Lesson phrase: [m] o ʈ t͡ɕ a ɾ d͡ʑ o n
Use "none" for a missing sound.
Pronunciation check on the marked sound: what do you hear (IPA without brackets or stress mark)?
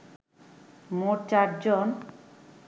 m